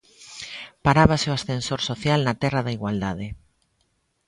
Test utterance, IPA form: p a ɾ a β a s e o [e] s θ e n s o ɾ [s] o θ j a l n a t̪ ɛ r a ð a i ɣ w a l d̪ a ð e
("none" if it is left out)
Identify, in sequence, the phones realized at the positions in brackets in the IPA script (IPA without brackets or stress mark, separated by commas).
a, s